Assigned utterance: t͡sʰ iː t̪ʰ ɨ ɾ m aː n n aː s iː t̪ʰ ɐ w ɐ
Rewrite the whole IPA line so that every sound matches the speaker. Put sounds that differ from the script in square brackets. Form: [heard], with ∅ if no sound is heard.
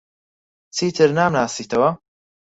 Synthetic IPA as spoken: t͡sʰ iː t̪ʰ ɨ ɾ [n] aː [m] n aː s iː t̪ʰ ɐ w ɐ